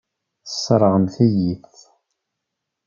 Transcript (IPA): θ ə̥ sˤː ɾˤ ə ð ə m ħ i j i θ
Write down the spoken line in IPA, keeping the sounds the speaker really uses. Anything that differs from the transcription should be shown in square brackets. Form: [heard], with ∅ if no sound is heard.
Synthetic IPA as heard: θ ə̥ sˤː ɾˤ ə [ʁ] ə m [θ] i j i θ